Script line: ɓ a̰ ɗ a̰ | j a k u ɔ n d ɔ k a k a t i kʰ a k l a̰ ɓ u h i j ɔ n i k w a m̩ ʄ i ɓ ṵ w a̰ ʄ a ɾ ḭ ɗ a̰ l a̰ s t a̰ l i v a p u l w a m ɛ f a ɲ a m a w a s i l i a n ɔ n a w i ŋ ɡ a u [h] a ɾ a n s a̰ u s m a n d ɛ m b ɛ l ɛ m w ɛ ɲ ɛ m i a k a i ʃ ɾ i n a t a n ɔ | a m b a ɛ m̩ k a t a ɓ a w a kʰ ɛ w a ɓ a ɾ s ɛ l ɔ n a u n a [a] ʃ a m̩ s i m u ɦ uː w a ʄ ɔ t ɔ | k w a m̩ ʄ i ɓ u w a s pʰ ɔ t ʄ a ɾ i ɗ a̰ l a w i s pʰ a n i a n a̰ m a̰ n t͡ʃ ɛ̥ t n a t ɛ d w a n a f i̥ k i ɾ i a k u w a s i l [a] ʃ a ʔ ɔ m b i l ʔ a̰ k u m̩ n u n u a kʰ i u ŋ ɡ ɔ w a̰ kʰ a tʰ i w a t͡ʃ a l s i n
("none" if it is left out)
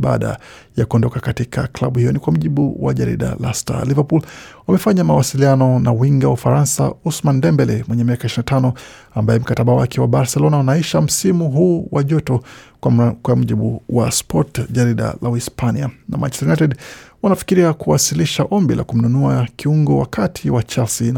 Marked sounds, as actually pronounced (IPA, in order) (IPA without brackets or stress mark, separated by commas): f, i, i